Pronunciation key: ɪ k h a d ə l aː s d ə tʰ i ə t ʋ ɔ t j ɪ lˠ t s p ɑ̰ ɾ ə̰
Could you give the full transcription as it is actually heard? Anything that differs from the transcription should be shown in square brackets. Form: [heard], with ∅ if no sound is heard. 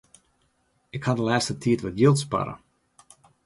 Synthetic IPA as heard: ɪ k h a d ə l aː s [t] ə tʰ i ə t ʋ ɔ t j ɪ lˠ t s p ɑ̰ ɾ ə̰